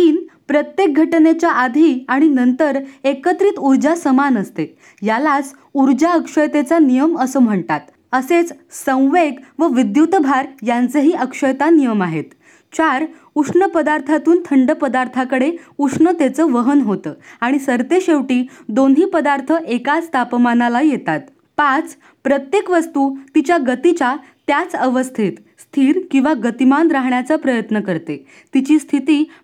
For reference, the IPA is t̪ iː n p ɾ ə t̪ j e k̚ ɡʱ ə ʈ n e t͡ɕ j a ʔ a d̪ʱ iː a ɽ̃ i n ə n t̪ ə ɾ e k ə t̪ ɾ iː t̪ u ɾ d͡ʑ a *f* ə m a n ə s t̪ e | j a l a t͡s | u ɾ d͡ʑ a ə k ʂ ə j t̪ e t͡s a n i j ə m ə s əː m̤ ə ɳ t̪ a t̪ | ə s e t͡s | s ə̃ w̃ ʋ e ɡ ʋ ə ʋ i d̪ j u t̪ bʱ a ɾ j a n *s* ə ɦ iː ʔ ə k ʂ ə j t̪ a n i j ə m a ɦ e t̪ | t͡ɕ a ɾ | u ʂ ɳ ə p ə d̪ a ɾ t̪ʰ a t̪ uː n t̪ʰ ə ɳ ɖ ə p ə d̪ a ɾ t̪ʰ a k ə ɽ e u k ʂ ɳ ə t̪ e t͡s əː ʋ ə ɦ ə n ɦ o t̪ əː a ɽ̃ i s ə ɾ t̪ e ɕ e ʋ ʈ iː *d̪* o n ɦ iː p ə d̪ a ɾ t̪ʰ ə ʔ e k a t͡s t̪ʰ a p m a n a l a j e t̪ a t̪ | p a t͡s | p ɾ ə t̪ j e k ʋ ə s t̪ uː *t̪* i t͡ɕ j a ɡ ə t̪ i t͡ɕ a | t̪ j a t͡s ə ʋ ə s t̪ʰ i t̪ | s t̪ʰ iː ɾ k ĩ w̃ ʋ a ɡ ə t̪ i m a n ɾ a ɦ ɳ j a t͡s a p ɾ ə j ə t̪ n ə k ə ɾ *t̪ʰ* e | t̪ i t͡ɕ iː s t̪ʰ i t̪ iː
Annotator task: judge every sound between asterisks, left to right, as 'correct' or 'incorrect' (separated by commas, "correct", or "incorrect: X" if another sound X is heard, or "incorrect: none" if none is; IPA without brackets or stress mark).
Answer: incorrect: s, incorrect: t͡s, correct, correct, incorrect: t̪